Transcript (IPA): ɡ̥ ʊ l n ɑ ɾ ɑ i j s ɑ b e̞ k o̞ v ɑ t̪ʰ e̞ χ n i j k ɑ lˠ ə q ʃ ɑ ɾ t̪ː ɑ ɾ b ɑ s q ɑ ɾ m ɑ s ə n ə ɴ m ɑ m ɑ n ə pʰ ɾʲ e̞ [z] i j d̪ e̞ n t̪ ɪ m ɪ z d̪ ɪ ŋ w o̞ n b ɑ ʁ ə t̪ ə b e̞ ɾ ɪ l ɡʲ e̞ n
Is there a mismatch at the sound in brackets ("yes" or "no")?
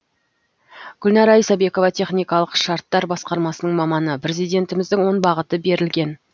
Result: no